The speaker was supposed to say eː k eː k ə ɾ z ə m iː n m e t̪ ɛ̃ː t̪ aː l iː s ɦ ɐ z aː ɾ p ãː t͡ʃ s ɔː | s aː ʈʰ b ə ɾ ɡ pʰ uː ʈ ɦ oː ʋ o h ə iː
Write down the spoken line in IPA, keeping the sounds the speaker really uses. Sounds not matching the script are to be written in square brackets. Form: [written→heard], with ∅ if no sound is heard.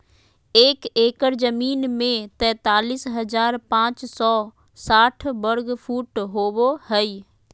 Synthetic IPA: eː k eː k ə ɾ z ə m iː n m [e→ẽ] t̪ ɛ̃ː t̪ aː l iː s ɦ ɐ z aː ɾ p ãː t͡ʃ s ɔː | s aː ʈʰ b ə ɾ ɡ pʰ uː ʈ ɦ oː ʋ o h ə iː